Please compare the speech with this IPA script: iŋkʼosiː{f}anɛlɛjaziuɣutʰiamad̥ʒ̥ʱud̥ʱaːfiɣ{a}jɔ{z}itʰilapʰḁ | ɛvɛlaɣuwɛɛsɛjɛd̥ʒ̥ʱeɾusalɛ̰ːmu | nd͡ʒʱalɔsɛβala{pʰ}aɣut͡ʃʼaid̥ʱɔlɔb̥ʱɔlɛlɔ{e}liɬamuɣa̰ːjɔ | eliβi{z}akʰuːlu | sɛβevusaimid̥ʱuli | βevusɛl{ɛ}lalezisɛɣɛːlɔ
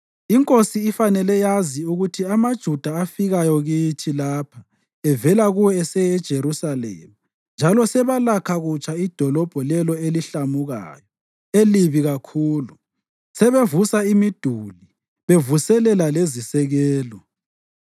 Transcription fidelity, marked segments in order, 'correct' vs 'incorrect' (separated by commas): correct, correct, incorrect, incorrect, correct, incorrect, correct